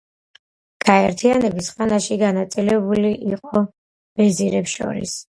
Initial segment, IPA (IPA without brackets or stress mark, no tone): ɡ̥